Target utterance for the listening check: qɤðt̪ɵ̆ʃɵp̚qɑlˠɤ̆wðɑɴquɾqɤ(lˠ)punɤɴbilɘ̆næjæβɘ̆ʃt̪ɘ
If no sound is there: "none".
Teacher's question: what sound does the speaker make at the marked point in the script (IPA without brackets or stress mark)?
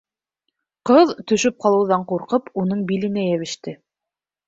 none